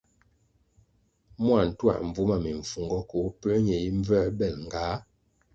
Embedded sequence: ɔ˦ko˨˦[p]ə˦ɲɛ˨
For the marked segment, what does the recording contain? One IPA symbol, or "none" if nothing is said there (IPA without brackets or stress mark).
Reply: p